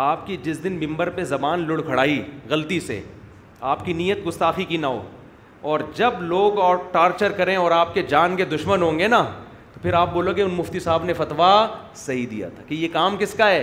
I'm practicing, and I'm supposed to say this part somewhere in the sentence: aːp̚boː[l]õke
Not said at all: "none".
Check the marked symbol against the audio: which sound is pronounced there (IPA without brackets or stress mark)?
l